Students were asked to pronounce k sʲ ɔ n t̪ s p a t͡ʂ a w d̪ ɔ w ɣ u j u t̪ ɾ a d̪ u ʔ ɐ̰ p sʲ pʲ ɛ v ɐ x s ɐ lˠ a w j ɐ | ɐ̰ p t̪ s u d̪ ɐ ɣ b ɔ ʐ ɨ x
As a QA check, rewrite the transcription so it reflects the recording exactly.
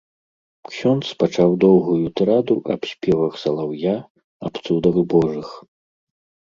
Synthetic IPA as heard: k sʲ ɔ n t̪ s p a t͡ʂ a w d̪ ɔ w ɣ u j u t̪ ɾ a d̪ u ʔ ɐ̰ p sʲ pʲ ɛ v ɐ x s ɐ lˠ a w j a | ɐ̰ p t̪ s u d̪ ɐ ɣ b ɔ ʐ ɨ x